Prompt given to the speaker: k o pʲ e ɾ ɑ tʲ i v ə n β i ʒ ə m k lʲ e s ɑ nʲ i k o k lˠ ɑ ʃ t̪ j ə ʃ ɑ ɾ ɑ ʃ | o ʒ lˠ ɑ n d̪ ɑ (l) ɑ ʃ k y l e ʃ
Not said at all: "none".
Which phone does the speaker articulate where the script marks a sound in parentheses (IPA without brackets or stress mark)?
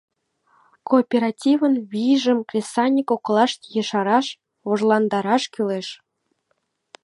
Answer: ɾ